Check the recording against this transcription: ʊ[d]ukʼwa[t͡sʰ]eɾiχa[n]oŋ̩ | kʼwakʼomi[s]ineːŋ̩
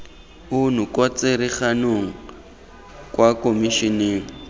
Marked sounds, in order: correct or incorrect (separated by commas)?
incorrect, incorrect, correct, incorrect